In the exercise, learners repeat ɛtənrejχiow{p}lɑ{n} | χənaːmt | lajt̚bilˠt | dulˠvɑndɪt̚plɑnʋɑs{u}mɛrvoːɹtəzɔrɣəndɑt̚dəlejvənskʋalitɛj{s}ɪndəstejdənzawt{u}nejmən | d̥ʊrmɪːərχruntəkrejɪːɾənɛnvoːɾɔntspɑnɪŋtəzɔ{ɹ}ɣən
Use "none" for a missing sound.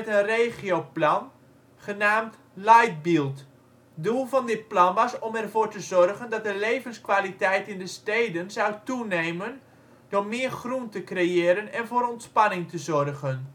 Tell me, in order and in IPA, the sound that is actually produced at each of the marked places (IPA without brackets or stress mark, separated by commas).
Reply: p, n, ɔ, t, u, r